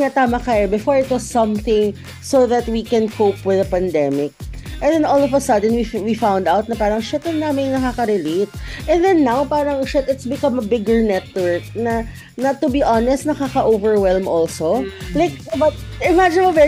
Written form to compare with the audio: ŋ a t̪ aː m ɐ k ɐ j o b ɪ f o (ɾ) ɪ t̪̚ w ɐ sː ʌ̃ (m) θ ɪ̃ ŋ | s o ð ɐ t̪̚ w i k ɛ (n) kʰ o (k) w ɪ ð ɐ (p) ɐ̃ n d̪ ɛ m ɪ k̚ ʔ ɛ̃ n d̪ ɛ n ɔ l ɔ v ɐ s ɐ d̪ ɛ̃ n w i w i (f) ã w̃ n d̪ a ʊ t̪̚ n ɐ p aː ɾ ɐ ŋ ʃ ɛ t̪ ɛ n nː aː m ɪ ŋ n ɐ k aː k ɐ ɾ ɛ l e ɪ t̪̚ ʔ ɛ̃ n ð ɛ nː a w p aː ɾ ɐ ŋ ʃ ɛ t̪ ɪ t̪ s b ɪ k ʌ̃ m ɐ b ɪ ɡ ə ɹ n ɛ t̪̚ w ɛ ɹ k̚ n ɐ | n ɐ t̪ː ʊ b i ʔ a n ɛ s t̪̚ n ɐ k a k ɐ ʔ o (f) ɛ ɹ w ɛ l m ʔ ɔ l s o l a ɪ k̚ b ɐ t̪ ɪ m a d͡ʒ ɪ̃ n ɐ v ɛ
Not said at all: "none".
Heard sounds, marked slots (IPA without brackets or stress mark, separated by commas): ɹ, m, n, p, p, f, v